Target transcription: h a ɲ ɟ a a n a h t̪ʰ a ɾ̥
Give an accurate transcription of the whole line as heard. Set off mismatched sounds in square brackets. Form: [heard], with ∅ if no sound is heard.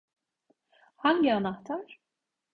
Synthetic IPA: h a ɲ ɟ [i] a n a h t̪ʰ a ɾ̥